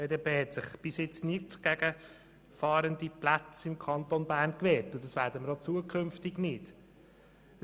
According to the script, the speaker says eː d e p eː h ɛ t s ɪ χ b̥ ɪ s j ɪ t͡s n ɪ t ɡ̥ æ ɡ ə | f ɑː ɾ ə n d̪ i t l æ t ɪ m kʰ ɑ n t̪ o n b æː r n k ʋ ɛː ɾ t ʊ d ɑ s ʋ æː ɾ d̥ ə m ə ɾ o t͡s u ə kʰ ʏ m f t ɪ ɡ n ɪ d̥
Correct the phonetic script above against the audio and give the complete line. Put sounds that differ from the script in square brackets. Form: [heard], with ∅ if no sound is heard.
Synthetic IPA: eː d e p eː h ɛ t s ɪ χ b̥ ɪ s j ɪ t͡s n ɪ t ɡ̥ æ ɡ ə | f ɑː ɾ ə n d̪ i [p] l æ [t͡s] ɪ m kʰ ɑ n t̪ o n b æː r n k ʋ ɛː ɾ t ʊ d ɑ s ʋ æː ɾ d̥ ə m ə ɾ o t͡s u ə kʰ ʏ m f t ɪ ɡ n ɪ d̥